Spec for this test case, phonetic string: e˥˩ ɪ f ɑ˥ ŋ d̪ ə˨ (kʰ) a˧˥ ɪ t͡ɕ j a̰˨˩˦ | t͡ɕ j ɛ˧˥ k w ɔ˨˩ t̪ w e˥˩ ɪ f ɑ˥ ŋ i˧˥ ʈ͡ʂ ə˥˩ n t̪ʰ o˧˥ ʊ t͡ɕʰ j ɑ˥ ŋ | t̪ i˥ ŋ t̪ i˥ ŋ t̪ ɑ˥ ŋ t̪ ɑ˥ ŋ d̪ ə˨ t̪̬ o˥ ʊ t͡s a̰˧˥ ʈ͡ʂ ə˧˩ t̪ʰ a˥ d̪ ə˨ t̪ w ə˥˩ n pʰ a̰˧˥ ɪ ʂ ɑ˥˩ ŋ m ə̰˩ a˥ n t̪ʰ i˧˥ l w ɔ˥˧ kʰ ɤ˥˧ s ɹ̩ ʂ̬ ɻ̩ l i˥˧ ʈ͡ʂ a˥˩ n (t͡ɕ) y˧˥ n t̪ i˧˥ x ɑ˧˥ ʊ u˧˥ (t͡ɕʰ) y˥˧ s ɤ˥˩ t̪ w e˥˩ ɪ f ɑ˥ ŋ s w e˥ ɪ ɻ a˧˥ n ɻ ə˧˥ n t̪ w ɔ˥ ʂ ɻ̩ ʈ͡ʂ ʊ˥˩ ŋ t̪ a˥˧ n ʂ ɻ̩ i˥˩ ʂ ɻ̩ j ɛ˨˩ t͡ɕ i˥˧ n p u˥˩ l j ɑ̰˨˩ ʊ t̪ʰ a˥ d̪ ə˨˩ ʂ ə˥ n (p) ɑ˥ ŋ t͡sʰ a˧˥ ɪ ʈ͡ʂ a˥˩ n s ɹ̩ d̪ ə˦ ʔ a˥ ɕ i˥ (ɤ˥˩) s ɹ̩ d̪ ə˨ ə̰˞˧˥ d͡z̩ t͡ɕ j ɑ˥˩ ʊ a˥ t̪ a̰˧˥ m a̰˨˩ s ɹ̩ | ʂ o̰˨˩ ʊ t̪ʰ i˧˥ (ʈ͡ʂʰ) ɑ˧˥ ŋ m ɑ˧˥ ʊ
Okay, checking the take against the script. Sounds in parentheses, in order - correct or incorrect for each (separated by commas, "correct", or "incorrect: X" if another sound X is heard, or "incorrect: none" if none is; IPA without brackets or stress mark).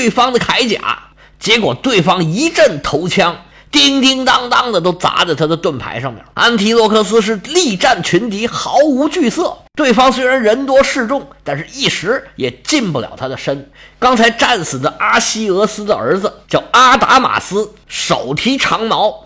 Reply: correct, incorrect: t͡ɕʰ, incorrect: t͡ɕ, incorrect: k, incorrect: ɤ˧˥, correct